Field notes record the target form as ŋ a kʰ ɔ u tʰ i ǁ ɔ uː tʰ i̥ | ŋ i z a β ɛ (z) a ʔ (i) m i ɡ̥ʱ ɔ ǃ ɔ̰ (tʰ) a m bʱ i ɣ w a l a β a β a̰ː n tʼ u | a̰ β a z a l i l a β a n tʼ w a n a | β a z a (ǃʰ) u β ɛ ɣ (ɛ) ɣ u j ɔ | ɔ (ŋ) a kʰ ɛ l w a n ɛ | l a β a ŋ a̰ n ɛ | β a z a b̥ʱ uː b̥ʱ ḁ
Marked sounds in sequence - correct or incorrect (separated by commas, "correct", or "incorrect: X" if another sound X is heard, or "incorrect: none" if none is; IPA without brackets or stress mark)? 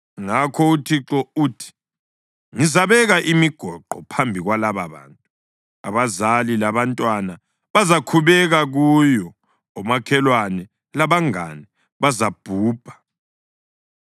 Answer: incorrect: ɣ, correct, incorrect: pʰ, incorrect: kʰ, incorrect: a, incorrect: m